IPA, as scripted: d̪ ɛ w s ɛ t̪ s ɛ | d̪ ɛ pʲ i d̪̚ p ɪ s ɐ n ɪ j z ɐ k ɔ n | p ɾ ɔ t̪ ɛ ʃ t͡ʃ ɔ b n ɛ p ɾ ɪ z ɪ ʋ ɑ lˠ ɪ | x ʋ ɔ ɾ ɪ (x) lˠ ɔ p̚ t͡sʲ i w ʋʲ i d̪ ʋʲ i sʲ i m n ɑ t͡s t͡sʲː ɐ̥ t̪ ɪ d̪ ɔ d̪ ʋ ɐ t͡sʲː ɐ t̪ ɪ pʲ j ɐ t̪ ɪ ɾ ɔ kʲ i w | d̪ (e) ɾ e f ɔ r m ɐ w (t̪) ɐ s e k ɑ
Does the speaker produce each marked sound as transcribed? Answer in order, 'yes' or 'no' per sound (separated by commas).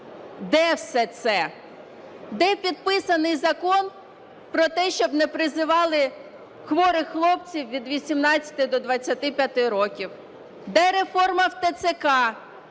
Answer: yes, no, yes